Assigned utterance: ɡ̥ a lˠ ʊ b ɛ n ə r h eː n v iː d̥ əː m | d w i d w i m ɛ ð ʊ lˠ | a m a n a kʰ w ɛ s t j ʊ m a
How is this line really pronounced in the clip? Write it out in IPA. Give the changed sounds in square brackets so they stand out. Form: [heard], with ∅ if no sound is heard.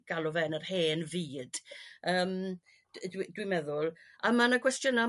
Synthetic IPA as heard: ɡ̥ a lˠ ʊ [v] ɛ n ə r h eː n v iː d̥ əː m | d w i d w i m ɛ ð ʊ lˠ | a m a n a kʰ w ɛ s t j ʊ [n] a

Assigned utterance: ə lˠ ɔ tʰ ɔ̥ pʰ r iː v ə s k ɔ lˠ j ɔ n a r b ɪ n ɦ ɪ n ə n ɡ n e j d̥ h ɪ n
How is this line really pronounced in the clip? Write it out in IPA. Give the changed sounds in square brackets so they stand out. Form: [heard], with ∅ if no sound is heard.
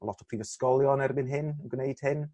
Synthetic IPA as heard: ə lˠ ɔ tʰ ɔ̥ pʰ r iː v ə s k ɔ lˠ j ɔ n [ɛ] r b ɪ n ɦ ɪ n ə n ɡ n e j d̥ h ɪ n

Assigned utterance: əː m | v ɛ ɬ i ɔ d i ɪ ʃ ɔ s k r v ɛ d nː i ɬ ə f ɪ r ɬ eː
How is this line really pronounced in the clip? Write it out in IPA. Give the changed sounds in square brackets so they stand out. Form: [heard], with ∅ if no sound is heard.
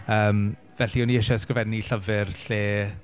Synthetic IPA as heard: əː m | v ɛ ɬ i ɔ [n] i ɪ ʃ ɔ s k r v ɛ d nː i ɬ ə [v] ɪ r ɬ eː

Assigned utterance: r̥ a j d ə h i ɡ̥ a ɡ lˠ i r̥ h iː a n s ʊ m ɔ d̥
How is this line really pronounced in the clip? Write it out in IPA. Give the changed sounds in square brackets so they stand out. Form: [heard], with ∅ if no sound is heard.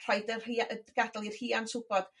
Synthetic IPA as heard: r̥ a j d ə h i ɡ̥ a [d] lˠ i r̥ h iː a n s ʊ [b] ɔ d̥

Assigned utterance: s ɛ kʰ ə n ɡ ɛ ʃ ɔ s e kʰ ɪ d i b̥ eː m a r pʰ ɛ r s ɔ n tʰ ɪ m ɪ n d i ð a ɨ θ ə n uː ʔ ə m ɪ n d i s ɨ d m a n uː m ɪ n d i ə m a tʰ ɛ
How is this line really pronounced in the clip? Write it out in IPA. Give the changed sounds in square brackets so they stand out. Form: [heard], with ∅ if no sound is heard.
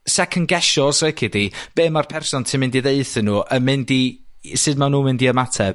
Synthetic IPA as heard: s ɛ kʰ ə n ɡ ɛ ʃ ɔ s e kʰ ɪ d i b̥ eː m a r pʰ ɛ r s ɔ n tʰ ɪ m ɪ n d i ð [e] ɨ θ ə n uː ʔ ə m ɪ n d i s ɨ d m a n uː m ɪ n d i ə m a tʰ ɛ

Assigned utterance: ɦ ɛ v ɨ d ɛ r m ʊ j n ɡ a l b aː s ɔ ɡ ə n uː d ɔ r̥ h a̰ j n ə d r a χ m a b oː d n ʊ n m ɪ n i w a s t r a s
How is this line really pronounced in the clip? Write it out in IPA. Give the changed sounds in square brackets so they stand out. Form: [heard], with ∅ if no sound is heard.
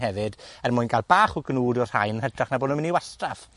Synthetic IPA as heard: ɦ ɛ v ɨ d ɛ r m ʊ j n ɡ a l b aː [χ] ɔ ɡ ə n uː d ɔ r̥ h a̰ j n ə d r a χ [n] a b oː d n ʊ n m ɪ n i w a s t r a [f]

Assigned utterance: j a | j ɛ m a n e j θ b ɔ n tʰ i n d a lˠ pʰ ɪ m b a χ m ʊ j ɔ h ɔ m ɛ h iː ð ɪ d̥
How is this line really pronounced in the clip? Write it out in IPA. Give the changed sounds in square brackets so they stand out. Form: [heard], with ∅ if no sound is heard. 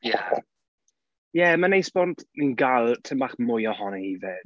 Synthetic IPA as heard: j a | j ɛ m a n e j [s] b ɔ n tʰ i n [ɡ] a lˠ [tʰ] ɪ m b a χ m ʊ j ɔ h ɔ [n] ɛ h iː [v] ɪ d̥

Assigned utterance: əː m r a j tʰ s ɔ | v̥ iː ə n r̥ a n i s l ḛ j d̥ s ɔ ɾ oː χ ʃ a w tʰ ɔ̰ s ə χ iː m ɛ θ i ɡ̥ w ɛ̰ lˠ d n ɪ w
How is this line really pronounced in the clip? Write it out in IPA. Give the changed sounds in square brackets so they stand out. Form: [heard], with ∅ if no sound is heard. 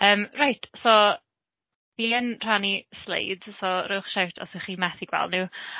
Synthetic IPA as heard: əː m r a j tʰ s ɔ | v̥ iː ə n r̥ a n i s l ḛ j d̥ s ɔ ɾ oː χ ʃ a w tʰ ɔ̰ s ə χ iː m ɛ θ i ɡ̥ w ɛ̰ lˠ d n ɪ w

